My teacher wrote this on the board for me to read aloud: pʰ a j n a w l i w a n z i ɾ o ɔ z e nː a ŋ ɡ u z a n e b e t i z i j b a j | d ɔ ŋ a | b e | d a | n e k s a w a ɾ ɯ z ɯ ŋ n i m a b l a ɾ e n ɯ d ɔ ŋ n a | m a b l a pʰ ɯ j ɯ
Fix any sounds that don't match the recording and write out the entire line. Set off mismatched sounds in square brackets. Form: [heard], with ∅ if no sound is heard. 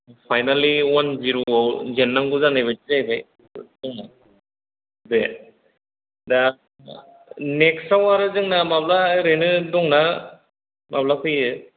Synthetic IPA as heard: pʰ a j n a [∅] l i w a n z i ɾ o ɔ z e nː a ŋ ɡ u z a n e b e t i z [a] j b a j | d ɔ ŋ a | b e | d a | n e k s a w a ɾ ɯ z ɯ ŋ n [a] m a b l a ɾ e n ɯ d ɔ ŋ n a | m a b l a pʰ ɯ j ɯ